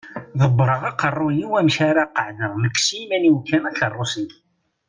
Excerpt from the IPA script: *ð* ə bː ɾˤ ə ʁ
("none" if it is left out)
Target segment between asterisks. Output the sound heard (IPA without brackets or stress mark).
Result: ð